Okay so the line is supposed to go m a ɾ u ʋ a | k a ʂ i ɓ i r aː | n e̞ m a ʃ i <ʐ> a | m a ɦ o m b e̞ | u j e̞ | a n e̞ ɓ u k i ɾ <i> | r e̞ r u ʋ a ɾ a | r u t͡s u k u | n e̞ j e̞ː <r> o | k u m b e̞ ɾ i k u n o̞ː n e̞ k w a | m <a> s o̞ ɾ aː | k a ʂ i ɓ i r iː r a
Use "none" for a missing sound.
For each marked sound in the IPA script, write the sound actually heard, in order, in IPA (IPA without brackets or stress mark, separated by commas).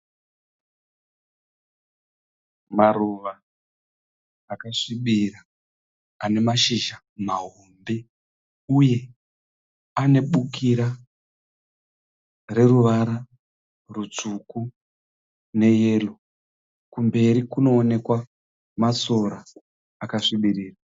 ʒ, a, l, a